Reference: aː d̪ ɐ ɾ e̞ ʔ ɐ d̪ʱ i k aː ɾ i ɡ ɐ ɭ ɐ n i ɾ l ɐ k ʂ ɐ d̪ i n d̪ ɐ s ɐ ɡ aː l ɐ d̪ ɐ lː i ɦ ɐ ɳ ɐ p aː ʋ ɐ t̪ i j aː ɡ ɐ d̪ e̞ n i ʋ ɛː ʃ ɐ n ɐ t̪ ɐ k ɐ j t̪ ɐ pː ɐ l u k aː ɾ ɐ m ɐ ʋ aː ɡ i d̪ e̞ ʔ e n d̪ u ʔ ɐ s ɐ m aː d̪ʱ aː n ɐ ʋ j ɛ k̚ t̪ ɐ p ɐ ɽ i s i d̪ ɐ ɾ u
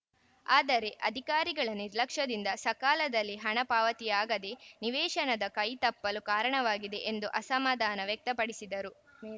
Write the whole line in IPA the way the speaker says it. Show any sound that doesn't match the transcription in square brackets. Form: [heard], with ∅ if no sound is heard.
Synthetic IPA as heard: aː d̪ ɐ ɾ e̞ ʔ ɐ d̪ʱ i k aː ɾ i ɡ ɐ ɭ ɐ n i ɾ l ɐ k ʂ ɐ d̪ i n d̪ ɐ s ɐ [k] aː l ɐ d̪ ɐ lː i ɦ ɐ ɳ ɐ p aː ʋ ɐ t̪ i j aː ɡ ɐ d̪ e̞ n i ʋ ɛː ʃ ɐ n ɐ [d̪] ɐ k ɐ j t̪ ɐ pː ɐ l u k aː ɾ ɐ [ɳ] ɐ ʋ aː ɡ i d̪ e̞ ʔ e n d̪ u ʔ ɐ s ɐ m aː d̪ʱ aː n ɐ ʋ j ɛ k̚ t̪ ɐ p ɐ ɽ i s i d̪ ɐ ɾ u